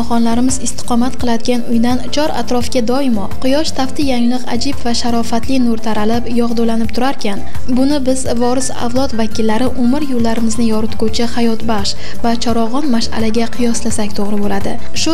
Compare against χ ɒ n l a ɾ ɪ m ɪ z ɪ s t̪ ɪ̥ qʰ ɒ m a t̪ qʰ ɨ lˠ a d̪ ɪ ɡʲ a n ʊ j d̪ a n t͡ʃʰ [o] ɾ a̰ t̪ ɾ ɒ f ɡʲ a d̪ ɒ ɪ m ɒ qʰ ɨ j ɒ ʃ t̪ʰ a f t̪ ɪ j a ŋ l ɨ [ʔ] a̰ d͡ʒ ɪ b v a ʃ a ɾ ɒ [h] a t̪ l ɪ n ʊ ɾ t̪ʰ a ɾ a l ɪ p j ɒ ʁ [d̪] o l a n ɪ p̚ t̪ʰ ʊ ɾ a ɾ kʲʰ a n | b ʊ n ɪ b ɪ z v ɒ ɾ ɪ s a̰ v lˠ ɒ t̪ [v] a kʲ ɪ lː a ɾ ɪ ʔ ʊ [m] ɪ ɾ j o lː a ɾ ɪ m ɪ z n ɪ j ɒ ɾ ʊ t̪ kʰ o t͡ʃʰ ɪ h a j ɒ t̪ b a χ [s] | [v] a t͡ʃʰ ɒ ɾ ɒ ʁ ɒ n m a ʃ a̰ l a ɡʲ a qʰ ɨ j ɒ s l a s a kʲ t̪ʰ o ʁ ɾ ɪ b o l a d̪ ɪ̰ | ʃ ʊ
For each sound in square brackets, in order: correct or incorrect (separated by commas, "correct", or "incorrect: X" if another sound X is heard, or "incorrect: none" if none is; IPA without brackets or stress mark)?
incorrect: ɒ, incorrect: q, incorrect: f, correct, correct, correct, incorrect: ʃ, correct